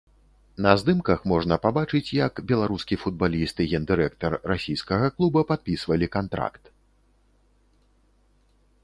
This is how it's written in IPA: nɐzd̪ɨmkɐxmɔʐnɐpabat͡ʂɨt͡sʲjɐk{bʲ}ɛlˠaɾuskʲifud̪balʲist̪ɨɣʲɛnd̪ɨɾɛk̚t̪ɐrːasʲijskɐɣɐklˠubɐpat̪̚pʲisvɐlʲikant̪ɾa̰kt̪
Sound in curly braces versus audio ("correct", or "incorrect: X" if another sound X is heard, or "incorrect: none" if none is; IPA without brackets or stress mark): correct